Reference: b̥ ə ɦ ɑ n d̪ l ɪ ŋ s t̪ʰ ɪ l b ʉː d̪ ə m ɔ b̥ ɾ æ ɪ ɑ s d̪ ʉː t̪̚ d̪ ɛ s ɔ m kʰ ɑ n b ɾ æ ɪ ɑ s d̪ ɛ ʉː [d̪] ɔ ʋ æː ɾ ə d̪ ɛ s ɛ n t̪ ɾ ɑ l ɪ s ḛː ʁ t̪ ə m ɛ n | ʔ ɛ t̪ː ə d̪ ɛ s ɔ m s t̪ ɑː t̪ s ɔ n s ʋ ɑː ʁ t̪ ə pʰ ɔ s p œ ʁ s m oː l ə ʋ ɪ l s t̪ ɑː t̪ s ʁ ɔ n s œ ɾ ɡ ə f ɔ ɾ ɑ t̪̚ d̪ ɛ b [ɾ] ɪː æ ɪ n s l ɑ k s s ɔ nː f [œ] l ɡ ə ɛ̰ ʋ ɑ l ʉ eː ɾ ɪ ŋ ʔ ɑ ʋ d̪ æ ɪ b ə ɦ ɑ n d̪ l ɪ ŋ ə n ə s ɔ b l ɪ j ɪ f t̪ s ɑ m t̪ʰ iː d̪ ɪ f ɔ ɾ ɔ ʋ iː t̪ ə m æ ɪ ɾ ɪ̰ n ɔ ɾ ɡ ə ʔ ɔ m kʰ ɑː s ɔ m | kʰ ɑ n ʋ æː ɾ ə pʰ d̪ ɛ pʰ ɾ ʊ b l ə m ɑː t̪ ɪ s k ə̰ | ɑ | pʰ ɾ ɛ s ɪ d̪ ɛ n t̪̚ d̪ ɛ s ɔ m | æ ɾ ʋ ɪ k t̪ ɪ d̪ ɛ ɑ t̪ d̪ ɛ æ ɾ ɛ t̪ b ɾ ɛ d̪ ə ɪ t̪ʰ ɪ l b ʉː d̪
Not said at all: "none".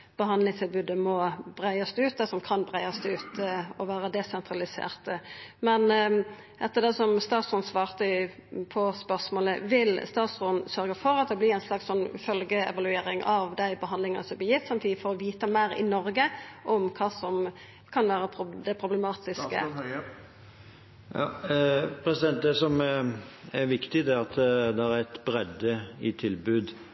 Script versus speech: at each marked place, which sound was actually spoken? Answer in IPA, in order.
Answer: t̪, l, œ

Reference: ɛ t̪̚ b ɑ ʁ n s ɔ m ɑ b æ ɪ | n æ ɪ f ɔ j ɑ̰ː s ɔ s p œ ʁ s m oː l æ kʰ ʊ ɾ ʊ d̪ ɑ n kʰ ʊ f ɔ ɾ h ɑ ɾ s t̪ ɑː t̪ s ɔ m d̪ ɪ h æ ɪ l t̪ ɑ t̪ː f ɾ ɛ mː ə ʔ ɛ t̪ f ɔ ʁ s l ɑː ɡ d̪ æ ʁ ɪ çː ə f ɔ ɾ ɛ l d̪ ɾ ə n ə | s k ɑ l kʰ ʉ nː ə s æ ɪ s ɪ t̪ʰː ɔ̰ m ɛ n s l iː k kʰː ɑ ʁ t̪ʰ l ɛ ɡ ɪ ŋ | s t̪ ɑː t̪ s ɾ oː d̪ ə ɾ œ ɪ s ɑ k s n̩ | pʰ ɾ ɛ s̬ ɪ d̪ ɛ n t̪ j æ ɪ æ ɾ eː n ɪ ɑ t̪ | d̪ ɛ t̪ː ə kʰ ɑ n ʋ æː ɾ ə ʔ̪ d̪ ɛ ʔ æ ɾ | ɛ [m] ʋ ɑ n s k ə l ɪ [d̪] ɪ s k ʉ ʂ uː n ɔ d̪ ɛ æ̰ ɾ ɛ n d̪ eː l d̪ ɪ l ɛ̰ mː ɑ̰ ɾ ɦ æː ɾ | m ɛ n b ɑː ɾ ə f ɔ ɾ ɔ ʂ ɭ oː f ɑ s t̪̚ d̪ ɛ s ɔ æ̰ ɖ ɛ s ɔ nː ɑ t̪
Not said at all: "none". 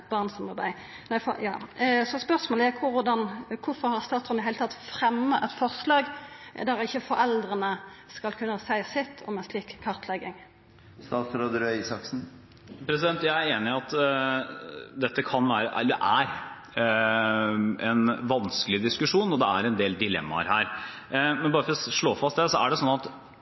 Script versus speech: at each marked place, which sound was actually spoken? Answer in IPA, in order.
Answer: n, d̪

